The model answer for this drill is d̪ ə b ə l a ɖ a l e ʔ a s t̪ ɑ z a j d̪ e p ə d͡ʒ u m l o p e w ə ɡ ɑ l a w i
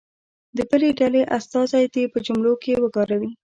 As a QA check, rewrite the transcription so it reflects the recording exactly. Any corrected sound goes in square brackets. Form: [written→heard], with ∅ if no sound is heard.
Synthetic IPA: d̪ ə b ə l [a→e] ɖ a l e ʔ a s t̪ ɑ z a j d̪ e p ə d͡ʒ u m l o [p→k] e w ə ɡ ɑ [l→ɾ] a w i